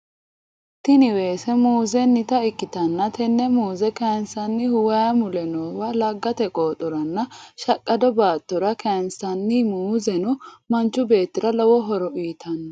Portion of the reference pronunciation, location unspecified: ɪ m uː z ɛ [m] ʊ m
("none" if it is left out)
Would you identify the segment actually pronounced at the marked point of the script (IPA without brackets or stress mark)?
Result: n